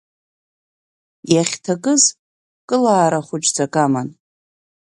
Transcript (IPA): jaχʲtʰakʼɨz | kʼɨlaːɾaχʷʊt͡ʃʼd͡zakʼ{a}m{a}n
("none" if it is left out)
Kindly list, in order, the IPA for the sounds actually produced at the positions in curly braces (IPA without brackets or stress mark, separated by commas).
a, a